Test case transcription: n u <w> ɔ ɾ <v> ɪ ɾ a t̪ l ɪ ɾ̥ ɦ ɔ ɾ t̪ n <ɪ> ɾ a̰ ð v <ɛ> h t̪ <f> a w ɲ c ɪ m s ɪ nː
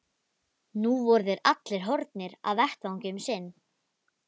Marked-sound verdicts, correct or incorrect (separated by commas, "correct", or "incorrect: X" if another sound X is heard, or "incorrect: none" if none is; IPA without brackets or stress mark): incorrect: v, incorrect: ð, correct, correct, incorrect: v